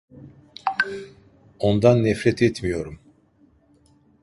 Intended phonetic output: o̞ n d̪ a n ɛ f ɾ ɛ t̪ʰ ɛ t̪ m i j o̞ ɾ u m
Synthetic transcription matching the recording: o̞ n d̪ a nː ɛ f ɾ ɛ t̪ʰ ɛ t̪ m i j o̞ ɾ u m

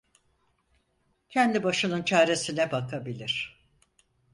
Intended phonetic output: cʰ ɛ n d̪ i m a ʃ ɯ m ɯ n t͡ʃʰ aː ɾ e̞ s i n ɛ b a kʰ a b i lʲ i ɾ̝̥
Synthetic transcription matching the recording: cʰ ɛ n d̪ i b a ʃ ɯ n ɯ n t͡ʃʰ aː ɾ e̞ s i n ɛ b a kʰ a b i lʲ i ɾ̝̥

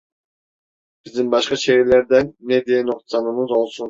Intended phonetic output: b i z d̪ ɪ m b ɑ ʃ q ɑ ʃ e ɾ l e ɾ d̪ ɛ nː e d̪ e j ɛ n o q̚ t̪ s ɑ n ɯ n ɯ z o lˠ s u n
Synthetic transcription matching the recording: b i z d̪ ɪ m b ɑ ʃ q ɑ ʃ e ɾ l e ɾ d̪ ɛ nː e d̪ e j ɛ n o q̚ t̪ s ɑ n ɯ m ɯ z o lˠ s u n

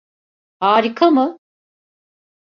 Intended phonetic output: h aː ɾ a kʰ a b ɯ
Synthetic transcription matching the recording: h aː ɾ i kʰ a m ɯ

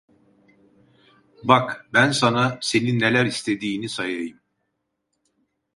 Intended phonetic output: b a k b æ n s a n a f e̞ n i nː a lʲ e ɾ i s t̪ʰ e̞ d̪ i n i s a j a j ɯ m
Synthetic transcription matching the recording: b a k b æ n s a n a s e̞ n i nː e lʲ æ ɾ i s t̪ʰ e̞ d̪ iː n i s a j a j ɯ m

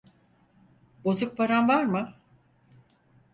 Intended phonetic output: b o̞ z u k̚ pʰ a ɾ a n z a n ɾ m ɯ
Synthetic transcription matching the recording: b o̞ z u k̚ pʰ a ɾ a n v a ɾ m ɯ

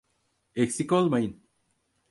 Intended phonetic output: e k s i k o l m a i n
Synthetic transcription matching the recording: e k s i k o l m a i n

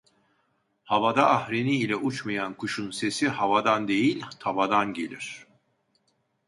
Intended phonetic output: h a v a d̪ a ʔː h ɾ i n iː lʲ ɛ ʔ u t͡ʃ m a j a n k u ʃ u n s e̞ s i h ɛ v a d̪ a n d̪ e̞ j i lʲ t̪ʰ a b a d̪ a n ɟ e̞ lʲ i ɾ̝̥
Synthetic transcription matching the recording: h a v a d̪ a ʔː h ɾ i n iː lʲ ɛ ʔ u t͡ʃ m a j a n k u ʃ u n s e̞ s i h a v a d̪ a n d̪ e̞ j i lʲ t̪ʰ a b a d̪ a n ɟ e̞ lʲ i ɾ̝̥

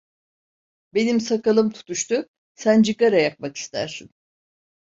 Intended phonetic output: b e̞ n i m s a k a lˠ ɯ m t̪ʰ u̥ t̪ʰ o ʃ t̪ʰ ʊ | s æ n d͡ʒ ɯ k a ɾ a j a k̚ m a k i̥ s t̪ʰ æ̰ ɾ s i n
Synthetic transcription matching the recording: b e̞ n i m s a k a lˠ ɯ m t̪ʰ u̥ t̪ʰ u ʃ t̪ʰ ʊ | s æ n d͡ʒ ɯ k a ɾ a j a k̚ m a k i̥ s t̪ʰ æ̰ ɾ s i n

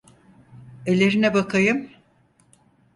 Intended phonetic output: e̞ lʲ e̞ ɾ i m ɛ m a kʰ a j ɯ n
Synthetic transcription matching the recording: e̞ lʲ e̞ ɾ i n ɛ b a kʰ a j ɯ m

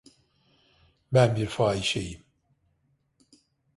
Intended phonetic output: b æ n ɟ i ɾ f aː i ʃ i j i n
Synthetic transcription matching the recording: b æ n b i ɾ f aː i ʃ e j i m

